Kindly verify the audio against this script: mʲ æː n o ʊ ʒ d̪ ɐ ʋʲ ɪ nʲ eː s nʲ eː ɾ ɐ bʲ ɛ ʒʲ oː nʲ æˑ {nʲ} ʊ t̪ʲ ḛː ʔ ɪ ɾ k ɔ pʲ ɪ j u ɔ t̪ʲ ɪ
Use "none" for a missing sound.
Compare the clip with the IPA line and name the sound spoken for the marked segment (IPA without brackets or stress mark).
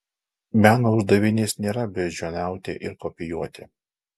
none